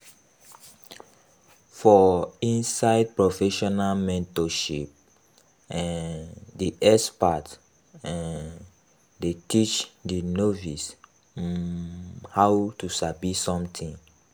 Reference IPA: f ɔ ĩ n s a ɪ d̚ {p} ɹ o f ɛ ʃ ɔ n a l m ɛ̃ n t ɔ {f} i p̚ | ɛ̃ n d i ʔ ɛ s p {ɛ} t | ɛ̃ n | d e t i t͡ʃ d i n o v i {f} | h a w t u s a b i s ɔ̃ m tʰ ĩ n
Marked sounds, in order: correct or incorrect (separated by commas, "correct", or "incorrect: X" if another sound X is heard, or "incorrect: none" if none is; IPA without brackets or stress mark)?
correct, incorrect: ʃ, incorrect: a, incorrect: s